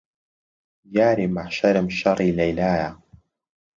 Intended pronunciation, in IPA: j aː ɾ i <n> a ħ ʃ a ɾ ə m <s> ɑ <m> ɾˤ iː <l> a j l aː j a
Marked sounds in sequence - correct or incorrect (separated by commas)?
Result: incorrect, incorrect, incorrect, correct